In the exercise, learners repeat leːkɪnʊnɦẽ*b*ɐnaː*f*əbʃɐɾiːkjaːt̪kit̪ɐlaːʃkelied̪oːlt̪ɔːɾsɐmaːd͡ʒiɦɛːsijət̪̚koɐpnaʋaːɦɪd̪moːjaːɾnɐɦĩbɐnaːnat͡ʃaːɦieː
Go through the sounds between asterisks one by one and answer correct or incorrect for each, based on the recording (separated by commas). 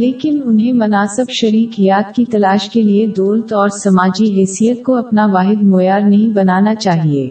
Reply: incorrect, incorrect